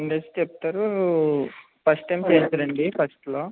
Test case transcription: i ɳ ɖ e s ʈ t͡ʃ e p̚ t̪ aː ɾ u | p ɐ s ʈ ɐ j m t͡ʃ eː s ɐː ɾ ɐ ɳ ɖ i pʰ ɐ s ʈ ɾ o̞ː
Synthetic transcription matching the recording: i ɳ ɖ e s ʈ t͡ʃ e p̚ t̪ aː ɾ u | p ɐ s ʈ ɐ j m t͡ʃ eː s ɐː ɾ ɐ ɳ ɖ i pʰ ɐ s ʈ l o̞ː